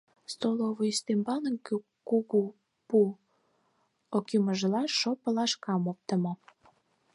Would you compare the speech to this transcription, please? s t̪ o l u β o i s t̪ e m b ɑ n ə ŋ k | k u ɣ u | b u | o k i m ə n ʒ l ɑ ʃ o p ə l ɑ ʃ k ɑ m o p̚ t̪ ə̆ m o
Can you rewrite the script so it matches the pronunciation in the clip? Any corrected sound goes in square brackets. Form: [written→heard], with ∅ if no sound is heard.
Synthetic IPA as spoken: s t̪ o l [u→o] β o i s t̪ e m b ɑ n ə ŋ k | k u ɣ u | [b→p] u | o k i m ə [n→∅] ʒ l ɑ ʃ o p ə l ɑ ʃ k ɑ m o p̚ t̪ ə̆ m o